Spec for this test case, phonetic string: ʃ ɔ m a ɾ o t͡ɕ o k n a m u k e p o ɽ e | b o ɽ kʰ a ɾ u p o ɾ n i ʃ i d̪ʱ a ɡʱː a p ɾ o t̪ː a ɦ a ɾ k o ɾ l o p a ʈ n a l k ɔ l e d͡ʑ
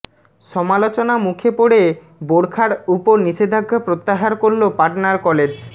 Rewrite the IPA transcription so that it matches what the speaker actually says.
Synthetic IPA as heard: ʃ ɔ m a l o t͡ɕ o n a m u kʰ e p o ɽ e | b o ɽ kʰ a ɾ u p o ɾ n i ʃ e d̪ʱ a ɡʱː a p ɾ o t̪ː a ɦ a ɾ k o ɾ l o p a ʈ n a ɾ k ɔ l e d͡ʑ